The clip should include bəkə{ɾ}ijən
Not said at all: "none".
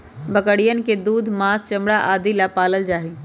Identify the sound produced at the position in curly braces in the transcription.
ɽ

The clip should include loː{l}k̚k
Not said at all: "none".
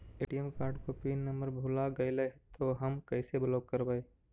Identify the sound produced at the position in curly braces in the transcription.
none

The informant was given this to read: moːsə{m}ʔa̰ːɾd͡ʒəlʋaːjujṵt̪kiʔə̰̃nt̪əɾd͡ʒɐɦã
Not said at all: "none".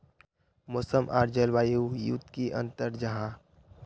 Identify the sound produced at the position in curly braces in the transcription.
m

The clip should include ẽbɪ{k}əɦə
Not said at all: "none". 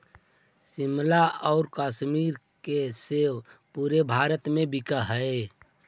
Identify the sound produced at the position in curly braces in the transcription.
k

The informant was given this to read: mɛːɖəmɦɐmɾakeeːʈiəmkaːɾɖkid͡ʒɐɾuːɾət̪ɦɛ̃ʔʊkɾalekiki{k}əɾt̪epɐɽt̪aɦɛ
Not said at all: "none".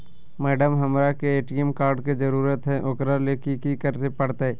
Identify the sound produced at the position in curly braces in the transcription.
k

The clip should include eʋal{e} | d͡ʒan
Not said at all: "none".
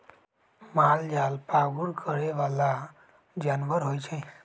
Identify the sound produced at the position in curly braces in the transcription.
a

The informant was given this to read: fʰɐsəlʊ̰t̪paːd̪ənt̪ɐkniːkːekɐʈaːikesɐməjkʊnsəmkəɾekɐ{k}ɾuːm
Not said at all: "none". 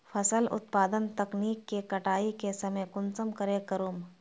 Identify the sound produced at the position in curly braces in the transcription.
none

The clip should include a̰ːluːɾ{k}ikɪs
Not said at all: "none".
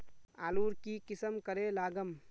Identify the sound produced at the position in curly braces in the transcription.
k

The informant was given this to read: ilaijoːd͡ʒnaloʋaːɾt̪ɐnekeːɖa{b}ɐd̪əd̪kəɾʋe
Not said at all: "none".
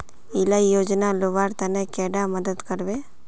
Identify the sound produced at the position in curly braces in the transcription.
m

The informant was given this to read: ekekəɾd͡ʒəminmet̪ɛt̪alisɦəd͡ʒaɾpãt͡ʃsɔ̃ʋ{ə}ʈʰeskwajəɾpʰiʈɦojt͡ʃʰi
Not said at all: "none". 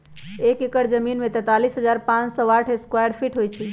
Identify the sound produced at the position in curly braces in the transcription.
a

